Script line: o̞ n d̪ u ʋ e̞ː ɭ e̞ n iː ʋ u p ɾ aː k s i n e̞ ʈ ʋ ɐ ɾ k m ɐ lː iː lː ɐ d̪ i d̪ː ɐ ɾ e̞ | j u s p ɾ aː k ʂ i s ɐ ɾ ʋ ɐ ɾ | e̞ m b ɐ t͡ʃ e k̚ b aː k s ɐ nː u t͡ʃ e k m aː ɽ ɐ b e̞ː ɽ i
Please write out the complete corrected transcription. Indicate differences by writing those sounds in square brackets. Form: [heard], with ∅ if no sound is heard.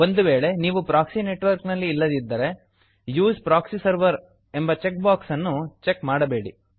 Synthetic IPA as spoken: o̞ n d̪ u ʋ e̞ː ɭ e̞ n iː ʋ u p ɾ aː k s i n e̞ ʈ ʋ ɐ ɾ k [n] ɐ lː iː lː ɐ d̪ i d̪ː ɐ ɾ e̞ | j [uː] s p ɾ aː k [s] i s ɐ ɾ ʋ ɐ ɾ | e̞ m b ɐ t͡ʃ e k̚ b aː k s ɐ nː u t͡ʃ e k m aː ɽ ɐ b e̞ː ɽ i